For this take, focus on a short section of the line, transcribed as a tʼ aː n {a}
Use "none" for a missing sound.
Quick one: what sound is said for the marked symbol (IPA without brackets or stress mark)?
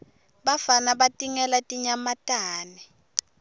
ɛ